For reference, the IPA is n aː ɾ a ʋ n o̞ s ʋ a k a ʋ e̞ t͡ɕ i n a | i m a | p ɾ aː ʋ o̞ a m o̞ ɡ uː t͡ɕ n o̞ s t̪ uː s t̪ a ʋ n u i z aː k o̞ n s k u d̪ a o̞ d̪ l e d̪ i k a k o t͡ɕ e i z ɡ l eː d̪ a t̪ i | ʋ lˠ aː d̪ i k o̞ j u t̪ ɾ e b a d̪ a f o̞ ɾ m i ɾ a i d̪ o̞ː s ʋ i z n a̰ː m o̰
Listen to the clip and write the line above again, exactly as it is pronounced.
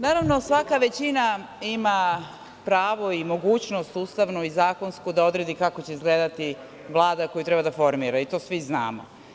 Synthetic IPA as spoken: n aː ɾ a ʋ n o̞ s ʋ a k a ʋ e̞ t͡ɕ i n a | i m a | p ɾ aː ʋ o̞ i m o̞ ɡ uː t͡ɕ n o̞ s t̪ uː s t̪ a ʋ n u i z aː k o̞ n s k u d̪ a o̞ d̪ ɾ e d̪ i k a k o t͡ɕ e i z ɡ l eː d̪ a t̪ i | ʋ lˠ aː d̪ a k o̞ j u t̪ ɾ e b a d̪ a f o̞ ɾ m i ɾ a i t̪ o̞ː s ʋ i z n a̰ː m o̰